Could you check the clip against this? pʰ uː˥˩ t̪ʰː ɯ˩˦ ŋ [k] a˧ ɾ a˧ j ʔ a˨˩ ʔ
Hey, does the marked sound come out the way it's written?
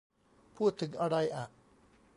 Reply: no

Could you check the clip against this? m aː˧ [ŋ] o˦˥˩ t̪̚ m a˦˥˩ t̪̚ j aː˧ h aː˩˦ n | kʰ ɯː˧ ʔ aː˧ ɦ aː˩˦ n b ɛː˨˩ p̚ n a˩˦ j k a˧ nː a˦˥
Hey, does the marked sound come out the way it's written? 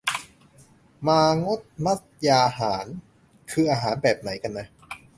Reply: yes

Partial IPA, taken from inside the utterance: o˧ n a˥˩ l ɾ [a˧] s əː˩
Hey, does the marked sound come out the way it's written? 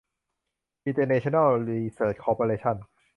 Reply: no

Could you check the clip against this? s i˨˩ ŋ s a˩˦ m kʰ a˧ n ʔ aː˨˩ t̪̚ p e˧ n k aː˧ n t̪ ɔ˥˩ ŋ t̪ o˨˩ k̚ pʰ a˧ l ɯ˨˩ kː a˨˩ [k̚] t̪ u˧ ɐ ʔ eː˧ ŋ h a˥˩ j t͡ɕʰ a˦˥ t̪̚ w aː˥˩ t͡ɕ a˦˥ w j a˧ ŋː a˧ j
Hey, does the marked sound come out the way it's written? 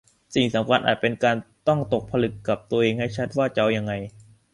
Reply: no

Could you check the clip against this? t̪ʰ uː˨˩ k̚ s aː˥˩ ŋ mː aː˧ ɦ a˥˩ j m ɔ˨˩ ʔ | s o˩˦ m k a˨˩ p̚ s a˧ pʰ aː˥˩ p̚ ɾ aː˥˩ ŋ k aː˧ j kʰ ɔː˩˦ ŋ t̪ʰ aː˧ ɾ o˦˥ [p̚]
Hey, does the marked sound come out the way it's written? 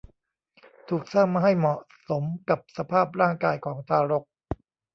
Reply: no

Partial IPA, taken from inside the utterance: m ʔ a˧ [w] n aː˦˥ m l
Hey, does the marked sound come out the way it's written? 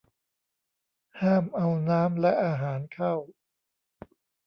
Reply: yes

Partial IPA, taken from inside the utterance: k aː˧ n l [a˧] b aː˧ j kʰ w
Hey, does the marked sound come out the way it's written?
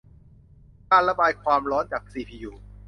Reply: yes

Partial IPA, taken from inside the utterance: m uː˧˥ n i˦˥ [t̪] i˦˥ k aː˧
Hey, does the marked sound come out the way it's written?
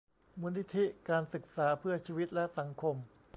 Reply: no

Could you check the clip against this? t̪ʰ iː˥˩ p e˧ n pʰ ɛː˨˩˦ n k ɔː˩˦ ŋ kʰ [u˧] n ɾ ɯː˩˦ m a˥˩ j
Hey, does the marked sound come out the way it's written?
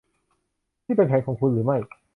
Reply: yes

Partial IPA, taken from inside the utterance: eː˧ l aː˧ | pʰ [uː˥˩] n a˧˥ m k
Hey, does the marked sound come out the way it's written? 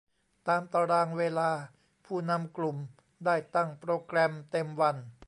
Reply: yes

